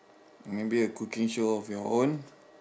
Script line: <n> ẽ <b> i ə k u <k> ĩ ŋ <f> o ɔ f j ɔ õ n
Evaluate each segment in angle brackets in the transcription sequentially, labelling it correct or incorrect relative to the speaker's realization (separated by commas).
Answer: incorrect, correct, correct, incorrect